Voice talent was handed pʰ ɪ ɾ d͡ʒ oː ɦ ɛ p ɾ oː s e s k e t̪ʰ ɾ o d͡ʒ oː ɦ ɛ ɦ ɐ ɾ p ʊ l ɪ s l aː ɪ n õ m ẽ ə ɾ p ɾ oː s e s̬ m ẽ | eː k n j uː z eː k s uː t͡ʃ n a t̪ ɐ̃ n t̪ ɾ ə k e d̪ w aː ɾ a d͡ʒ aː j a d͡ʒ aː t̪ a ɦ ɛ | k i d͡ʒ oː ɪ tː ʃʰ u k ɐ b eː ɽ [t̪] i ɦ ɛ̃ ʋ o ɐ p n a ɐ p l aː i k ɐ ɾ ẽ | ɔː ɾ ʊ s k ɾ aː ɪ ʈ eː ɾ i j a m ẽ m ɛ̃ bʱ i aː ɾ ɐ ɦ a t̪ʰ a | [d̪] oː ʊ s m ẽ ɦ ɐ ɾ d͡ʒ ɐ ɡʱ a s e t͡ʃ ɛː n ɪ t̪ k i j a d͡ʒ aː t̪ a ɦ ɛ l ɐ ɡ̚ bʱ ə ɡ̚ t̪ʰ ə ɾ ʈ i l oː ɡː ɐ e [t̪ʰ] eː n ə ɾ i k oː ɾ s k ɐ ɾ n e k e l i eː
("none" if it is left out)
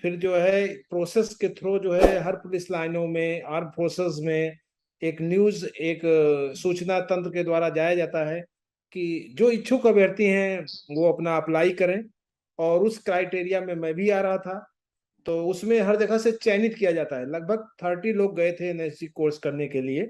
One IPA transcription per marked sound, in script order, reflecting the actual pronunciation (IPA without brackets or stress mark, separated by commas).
t̪, t̪, t̪ʰ